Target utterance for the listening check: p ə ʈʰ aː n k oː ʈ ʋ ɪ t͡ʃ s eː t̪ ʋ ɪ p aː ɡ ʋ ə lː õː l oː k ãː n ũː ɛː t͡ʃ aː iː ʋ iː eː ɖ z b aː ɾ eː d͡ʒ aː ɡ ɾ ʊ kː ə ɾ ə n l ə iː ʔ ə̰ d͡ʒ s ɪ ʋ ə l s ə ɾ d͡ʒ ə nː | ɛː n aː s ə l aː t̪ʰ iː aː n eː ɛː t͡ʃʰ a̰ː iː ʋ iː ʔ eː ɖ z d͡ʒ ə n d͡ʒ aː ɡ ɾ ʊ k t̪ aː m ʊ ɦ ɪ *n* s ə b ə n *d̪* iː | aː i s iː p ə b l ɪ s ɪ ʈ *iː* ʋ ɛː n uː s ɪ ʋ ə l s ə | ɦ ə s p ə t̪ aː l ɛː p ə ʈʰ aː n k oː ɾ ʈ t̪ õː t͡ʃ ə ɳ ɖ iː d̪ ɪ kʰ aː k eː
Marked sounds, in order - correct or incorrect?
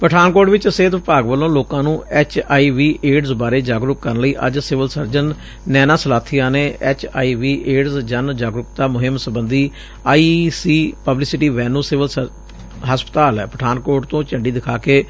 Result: incorrect: m, correct, correct

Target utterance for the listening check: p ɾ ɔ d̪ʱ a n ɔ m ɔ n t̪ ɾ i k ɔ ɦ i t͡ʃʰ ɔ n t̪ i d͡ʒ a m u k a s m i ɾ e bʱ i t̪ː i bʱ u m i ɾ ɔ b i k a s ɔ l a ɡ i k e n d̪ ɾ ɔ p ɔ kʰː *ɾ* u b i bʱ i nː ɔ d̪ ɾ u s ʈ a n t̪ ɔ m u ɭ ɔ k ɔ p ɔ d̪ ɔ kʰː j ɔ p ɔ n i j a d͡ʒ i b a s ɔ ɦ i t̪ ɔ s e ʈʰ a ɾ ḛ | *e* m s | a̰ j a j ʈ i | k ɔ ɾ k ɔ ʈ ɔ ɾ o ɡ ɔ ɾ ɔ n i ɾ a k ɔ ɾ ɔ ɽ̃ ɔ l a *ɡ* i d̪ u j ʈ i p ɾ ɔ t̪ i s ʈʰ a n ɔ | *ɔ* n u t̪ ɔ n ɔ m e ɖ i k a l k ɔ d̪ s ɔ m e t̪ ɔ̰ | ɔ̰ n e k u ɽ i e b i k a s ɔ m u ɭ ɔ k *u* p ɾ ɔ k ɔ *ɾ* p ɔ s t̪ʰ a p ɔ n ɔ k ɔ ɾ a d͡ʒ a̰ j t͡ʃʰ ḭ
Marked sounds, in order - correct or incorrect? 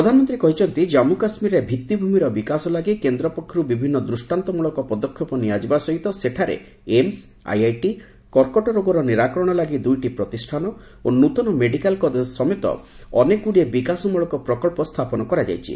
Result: correct, correct, correct, incorrect: o, incorrect: ɔ, incorrect: ɭ

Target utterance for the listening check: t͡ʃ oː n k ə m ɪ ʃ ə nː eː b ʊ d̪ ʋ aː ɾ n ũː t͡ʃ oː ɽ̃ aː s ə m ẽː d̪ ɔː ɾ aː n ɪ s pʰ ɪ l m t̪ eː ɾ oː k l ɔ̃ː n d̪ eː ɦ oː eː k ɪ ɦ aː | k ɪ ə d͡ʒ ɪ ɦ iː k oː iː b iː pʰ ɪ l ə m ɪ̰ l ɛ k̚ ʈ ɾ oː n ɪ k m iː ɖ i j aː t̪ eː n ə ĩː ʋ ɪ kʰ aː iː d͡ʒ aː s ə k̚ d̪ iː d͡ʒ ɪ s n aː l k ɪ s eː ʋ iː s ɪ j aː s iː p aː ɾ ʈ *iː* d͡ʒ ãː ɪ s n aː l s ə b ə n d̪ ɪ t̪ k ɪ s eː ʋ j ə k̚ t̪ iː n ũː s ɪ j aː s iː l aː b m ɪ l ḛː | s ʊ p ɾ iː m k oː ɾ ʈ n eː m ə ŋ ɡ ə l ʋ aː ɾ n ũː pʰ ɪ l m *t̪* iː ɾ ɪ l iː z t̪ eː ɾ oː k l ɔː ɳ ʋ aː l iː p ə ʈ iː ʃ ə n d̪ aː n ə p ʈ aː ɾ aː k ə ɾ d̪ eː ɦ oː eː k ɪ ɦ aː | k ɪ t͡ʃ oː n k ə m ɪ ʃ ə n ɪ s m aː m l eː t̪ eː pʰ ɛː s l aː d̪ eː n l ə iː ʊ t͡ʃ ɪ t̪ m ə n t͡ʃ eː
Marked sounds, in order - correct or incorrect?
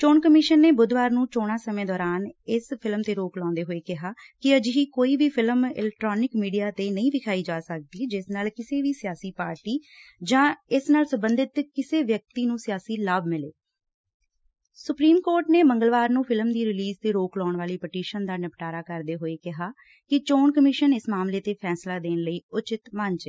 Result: correct, incorrect: d̪

